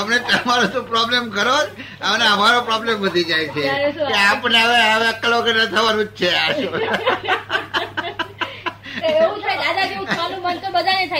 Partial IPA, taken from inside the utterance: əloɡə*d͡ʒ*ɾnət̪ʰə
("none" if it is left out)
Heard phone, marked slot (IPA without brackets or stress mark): none